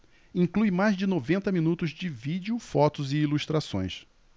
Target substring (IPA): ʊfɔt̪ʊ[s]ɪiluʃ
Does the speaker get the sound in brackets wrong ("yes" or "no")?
yes